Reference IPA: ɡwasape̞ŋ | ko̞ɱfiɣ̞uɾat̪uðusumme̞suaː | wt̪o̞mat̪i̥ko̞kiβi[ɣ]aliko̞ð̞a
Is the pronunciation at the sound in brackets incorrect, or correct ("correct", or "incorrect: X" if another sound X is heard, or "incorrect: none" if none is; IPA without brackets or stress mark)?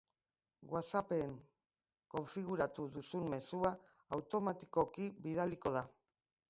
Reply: incorrect: ð